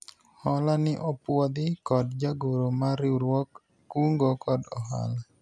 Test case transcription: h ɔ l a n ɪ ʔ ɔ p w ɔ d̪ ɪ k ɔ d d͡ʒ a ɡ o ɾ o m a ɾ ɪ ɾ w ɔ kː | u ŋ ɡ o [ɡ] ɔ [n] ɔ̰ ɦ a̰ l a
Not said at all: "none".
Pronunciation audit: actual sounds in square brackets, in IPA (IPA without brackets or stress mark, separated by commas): k, d